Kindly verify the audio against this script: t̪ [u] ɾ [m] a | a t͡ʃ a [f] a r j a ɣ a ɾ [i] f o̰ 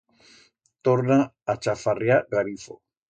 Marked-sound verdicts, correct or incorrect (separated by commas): incorrect, incorrect, correct, correct